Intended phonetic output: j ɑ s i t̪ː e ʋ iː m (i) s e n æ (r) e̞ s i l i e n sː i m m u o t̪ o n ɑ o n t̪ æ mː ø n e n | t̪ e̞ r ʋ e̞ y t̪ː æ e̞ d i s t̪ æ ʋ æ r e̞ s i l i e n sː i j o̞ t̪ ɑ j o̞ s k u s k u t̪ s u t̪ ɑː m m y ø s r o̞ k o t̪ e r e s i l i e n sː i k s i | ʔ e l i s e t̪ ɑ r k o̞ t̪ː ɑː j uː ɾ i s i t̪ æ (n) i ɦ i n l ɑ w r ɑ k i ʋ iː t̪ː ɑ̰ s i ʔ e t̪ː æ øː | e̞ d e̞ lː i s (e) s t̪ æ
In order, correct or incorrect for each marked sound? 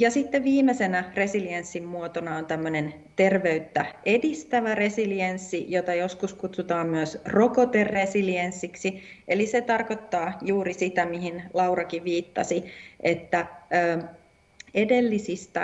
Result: incorrect: e, correct, incorrect: m, incorrect: i

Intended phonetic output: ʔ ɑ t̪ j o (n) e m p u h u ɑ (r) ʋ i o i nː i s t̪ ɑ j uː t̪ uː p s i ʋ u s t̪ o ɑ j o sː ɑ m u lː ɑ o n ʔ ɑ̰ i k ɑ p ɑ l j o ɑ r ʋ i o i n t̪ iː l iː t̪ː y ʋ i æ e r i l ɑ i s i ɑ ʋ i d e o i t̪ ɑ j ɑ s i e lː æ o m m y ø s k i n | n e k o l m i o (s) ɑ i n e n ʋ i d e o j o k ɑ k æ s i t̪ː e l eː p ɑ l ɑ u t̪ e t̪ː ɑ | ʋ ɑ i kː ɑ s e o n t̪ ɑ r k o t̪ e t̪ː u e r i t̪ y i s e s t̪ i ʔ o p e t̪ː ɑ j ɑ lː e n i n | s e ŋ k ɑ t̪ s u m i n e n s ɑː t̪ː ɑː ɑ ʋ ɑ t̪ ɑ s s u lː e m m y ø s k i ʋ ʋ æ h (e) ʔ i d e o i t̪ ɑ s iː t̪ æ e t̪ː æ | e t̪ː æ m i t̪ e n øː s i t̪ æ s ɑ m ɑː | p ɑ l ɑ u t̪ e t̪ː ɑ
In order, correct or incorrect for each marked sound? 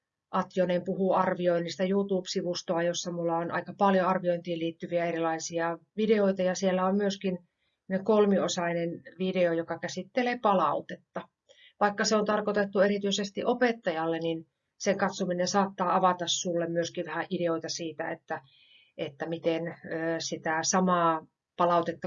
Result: correct, correct, correct, incorrect: æ

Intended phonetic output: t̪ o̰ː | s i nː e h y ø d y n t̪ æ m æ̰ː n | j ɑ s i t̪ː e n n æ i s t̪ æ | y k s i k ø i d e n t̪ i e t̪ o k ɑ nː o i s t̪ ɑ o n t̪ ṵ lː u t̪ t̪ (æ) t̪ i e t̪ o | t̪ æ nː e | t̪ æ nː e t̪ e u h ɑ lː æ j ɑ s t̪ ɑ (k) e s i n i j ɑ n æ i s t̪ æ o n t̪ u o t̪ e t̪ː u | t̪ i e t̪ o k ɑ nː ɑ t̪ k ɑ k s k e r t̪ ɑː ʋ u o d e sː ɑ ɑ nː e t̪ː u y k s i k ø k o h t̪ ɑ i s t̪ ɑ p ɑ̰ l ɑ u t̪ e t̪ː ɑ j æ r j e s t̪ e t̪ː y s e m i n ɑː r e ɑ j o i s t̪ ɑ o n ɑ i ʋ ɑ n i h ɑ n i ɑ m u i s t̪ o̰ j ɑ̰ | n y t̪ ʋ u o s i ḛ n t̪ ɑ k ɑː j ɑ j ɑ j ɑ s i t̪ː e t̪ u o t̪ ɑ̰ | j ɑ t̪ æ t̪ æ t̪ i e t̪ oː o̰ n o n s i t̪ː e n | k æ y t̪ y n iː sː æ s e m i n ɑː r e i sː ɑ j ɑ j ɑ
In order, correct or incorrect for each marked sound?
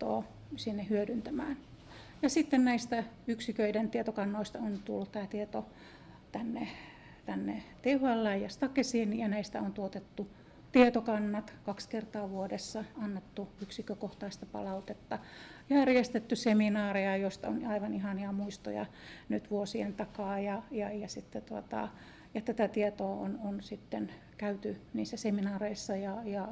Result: incorrect: æː, correct

